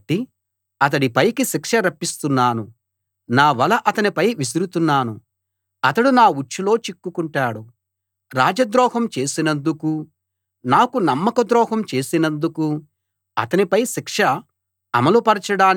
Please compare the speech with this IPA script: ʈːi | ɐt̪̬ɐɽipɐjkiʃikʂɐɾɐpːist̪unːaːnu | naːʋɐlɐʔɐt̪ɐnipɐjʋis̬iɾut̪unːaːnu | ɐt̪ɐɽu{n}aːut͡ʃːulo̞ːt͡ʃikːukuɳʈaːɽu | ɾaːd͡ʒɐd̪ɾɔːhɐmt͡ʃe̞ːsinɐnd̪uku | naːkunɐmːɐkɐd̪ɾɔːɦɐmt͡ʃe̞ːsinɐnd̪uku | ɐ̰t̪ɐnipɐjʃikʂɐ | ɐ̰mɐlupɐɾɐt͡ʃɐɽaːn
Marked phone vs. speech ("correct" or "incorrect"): correct